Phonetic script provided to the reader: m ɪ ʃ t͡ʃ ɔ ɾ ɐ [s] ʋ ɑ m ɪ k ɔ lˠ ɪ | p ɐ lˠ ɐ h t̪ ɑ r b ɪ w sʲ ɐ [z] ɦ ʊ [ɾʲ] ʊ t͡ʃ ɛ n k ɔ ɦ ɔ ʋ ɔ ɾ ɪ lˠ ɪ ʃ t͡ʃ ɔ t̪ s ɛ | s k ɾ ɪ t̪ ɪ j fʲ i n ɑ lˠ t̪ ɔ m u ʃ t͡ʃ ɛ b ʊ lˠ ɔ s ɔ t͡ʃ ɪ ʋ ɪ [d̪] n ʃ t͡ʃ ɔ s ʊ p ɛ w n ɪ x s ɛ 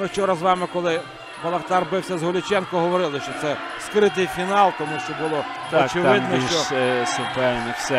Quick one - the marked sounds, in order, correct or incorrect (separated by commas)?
incorrect, correct, incorrect, correct